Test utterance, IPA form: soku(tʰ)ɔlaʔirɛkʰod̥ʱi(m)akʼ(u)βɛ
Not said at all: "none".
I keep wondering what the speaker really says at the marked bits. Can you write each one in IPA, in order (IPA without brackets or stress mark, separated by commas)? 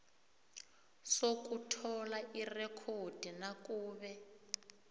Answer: tʰ, n, uː